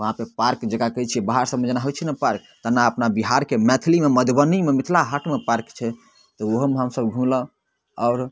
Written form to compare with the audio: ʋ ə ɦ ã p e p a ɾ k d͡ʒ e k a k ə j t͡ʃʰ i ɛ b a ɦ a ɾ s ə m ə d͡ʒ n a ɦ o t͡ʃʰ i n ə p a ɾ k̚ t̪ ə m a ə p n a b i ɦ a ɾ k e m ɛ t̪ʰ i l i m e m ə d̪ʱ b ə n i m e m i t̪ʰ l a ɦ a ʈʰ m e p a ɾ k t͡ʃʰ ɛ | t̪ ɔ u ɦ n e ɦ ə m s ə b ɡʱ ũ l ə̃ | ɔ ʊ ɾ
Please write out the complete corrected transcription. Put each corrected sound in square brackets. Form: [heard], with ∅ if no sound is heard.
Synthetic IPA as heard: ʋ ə ɦ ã p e p a ɾ k d͡ʒ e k a k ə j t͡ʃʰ i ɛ b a ɦ a ɾ s ə m ə d͡ʒ n a ɦ o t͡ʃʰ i n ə p a ɾ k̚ t̪ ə [n] a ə p n a b i ɦ a ɾ k e m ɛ t̪ʰ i l i m e m ə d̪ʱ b ə n i m e m i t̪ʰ l a ɦ a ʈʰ m e p a ɾ k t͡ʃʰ ɛ | t̪ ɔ [o] ɦ [m] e ɦ ə m s ə b ɡʱ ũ l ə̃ | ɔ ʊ ɾ